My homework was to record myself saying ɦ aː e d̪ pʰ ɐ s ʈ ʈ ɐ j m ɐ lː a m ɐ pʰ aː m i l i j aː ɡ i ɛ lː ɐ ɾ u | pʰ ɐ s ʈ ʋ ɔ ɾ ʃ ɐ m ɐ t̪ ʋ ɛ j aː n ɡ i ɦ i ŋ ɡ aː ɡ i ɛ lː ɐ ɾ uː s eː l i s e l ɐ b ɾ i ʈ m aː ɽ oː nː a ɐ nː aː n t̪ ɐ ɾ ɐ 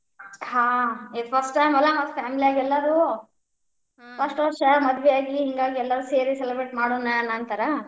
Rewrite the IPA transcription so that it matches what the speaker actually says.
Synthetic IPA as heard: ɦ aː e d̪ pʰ ɐ s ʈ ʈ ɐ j m ɐ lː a m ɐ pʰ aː m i l i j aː ɡ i ɛ lː ɐ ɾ u | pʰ ɐ s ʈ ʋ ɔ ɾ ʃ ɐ m ɐ d̪ ʋ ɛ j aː ɡ i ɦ i ŋ ɡ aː ɡ i ɛ lː ɐ ɾ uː s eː ɾ i s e l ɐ b ɾ e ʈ m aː ɽ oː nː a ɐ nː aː n t̪ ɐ ɾ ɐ